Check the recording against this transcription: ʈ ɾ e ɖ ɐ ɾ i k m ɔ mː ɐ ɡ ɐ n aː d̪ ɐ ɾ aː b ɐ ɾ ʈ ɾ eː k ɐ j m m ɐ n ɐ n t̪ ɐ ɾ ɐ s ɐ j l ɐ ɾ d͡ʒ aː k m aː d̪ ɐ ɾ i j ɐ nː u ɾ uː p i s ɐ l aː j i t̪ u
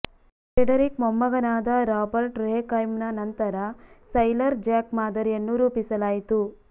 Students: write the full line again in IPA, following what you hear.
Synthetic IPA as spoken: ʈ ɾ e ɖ ɐ ɾ i k m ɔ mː ɐ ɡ ɐ n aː d̪ ɐ ɾ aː b ɐ ɾ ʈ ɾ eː k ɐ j m n ɐ n ɐ n t̪ ɐ ɾ ɐ s ɐ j l ɐ ɾ d͡ʒ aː k m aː d̪ ɐ ɾ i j ɐ nː u ɾ uː p i s ɐ l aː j i t̪ u